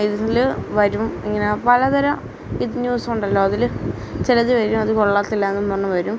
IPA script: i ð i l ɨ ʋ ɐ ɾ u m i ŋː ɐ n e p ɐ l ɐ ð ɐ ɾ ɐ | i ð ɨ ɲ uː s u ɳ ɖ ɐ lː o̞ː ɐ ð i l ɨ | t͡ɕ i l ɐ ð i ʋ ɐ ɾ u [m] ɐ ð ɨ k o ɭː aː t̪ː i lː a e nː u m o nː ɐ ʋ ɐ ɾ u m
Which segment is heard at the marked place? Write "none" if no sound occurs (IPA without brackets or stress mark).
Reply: m